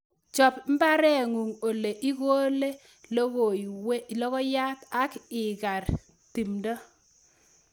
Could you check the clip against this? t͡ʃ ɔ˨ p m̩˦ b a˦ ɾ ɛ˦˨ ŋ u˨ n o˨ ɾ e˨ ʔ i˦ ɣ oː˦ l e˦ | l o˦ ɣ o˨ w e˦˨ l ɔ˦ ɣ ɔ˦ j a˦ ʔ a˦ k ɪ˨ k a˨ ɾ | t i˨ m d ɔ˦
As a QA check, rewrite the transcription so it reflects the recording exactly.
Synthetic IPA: t͡ʃ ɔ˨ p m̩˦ b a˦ ɾ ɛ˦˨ ŋ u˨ ŋ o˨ l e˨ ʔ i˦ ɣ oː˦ l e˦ | l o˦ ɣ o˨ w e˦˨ l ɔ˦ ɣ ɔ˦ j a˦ t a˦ k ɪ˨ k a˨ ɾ | t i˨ m d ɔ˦